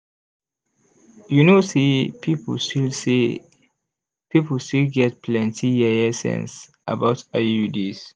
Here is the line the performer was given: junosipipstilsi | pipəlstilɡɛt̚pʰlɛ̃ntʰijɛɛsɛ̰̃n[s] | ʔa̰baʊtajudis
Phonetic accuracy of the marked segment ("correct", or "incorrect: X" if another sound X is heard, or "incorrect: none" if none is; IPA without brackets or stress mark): correct